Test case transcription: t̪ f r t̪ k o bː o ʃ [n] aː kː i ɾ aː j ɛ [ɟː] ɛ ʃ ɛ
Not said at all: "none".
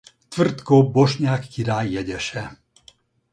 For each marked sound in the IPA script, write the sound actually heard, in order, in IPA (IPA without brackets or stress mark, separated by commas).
ɲ, ɟ